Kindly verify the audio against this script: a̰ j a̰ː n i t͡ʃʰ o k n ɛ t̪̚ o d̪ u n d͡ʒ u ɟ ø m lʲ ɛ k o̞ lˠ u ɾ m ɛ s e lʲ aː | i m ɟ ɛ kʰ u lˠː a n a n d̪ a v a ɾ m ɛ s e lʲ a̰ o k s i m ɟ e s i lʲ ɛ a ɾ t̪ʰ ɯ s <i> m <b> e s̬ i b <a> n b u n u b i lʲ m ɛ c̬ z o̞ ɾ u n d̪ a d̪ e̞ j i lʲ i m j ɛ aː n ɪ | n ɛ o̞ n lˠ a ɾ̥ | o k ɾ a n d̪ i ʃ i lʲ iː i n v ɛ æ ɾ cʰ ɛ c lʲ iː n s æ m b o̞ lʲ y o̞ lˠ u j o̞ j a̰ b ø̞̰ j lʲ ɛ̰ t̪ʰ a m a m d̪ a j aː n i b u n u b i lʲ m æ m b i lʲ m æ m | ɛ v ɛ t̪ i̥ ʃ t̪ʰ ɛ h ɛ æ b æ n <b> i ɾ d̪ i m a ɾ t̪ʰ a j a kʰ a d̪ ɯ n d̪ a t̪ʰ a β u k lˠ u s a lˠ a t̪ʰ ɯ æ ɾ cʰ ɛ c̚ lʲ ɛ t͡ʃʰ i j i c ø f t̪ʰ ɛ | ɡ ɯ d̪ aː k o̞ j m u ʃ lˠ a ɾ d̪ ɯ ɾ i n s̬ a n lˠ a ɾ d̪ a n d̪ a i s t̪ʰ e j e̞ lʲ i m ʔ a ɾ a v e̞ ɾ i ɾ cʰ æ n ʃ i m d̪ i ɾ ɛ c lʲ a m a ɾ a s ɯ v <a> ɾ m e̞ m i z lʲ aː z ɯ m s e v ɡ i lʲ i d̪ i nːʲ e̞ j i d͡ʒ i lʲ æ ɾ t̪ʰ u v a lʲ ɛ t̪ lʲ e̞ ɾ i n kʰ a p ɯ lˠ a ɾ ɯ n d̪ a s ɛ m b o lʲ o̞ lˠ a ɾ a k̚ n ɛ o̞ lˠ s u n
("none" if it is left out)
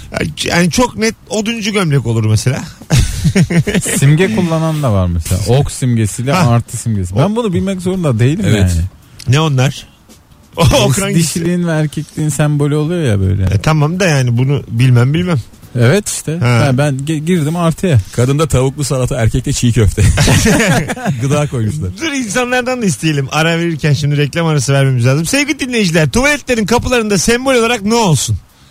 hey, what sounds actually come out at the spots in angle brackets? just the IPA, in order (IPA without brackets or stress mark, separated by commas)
i, ɟ, æ, ɟ, æ